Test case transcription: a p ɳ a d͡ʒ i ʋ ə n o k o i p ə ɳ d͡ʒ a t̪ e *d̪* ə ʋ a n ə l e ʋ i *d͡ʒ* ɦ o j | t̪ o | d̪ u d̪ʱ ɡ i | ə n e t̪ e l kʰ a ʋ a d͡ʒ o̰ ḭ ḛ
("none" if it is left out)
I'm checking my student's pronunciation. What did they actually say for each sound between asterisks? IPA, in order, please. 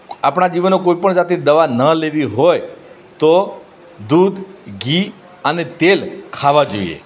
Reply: d̪, none

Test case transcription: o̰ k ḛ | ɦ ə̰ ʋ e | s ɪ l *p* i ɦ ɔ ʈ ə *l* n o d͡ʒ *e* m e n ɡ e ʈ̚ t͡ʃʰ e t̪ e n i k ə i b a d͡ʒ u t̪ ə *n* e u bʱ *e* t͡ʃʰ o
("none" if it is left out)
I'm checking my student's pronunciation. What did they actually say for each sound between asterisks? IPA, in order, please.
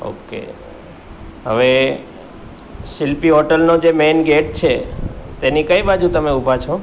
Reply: p, l, e, m, a

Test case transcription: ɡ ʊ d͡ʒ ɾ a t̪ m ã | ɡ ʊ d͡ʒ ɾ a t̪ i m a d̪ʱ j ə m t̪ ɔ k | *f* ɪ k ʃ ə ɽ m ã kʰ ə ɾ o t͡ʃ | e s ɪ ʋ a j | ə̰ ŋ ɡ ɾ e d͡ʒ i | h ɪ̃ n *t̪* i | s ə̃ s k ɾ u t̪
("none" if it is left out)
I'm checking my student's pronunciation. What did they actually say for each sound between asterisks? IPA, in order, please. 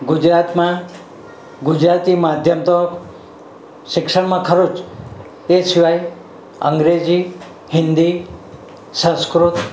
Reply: ʃ, d̪

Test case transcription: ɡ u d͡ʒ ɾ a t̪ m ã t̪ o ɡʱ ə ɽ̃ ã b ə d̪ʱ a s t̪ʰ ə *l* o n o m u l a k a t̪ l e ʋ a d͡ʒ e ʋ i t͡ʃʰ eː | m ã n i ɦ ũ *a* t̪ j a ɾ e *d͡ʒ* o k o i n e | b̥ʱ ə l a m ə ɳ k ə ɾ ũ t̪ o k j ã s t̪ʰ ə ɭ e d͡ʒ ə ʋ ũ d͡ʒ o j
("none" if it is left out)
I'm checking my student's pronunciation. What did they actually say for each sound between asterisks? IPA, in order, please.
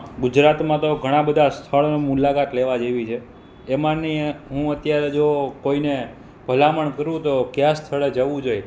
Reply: ɭ, ə, d͡ʒ

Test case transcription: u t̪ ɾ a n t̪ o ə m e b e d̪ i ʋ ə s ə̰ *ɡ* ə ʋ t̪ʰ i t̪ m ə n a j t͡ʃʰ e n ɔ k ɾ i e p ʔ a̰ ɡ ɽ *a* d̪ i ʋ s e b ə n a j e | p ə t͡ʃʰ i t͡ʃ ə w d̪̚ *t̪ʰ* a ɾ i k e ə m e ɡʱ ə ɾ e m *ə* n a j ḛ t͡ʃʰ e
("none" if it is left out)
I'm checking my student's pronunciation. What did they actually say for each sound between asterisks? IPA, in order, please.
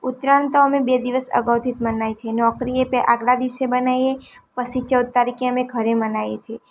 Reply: ɡ, a, t̪, ə

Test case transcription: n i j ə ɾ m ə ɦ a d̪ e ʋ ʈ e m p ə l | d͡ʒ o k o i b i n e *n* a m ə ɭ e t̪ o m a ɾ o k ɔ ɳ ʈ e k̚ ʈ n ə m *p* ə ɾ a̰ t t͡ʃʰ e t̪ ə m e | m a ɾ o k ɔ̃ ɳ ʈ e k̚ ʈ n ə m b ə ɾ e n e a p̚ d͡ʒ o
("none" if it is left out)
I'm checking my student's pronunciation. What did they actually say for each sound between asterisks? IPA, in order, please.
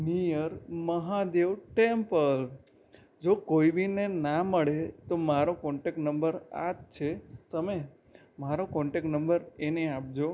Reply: n, b

